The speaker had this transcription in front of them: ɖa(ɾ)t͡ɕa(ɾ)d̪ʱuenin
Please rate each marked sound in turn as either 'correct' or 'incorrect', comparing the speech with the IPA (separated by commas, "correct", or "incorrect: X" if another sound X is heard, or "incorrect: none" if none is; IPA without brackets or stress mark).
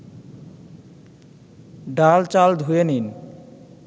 incorrect: l, incorrect: l